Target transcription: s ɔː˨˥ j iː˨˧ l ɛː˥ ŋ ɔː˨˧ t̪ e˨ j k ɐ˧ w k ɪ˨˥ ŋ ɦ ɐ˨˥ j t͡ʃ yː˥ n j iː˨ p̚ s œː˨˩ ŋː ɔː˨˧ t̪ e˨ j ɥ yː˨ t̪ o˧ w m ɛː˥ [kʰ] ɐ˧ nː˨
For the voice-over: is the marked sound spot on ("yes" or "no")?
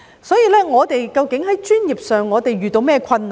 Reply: yes